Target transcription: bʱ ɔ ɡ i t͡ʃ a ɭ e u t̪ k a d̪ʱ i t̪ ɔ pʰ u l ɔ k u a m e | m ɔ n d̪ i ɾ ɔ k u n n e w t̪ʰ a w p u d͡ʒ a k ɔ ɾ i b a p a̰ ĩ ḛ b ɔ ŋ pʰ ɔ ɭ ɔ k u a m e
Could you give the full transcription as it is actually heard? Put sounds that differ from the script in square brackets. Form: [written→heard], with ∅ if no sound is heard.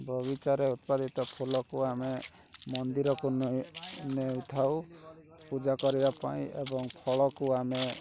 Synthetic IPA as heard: bʱ ɔ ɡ i t͡ʃ a [ɭ→ɾ] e u t̪ [k→p] a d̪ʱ i t̪ ɔ pʰ u l ɔ k u a m e | m ɔ n d̪ i ɾ ɔ k u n n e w t̪ʰ a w p u d͡ʒ a k ɔ ɾ i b a p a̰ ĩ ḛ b ɔ ŋ pʰ ɔ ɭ ɔ k u a m e